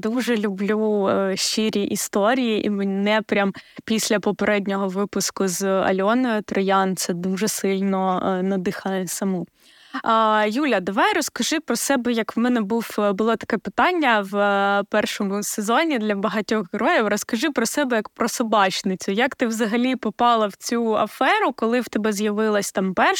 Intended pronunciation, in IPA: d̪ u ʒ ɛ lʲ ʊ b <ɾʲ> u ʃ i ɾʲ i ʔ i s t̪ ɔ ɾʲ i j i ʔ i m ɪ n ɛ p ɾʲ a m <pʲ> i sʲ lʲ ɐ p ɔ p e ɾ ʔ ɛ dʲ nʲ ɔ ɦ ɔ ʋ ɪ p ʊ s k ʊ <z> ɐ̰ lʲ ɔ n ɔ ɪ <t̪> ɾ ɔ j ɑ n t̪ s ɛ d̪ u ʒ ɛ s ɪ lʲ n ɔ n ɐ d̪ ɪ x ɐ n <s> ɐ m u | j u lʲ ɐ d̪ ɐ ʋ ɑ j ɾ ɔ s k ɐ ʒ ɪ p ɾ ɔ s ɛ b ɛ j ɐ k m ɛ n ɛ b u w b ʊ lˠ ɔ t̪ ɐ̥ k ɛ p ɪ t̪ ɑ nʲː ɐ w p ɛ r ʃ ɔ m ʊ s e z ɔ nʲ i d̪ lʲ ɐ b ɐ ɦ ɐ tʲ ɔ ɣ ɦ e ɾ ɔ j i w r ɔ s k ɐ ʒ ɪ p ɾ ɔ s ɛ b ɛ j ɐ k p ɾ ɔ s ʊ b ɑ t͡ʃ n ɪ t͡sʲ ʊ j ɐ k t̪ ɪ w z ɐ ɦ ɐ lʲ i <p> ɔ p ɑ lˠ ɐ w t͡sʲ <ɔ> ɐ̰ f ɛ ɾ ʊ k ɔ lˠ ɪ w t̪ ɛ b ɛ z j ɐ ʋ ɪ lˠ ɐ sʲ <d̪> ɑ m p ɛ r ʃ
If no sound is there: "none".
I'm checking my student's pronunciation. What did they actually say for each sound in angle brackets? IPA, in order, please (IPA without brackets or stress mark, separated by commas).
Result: lʲ, pʲ, z, t̪, s, p, u, t̪